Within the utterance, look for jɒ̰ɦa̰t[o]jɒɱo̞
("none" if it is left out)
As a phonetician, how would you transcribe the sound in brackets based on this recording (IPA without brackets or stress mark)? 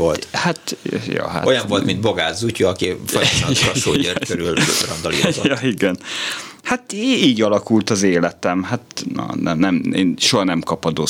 o